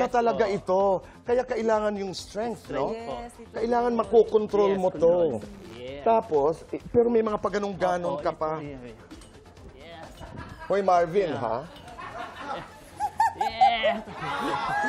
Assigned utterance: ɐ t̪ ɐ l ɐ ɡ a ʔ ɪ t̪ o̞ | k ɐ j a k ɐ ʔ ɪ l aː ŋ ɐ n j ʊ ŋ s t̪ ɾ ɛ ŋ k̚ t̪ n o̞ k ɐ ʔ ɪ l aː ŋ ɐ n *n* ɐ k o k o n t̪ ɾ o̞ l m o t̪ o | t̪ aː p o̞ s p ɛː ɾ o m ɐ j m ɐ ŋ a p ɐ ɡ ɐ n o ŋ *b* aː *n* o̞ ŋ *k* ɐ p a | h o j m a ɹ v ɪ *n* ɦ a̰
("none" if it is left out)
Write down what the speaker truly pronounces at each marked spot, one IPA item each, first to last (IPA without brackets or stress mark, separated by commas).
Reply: m, ɡ, n, k, n